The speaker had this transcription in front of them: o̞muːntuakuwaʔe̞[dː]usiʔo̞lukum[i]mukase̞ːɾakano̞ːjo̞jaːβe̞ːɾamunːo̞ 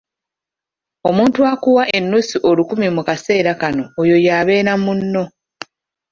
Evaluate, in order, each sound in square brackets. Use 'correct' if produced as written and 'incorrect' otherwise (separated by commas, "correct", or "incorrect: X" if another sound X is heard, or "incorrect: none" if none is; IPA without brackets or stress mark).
incorrect: nː, correct